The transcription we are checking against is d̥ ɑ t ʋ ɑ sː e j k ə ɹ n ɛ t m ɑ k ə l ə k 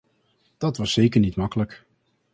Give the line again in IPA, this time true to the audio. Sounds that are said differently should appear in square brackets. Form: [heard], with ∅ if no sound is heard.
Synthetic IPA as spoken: d̥ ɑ t ʋ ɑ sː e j k ə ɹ n [i] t m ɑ k ə l ə k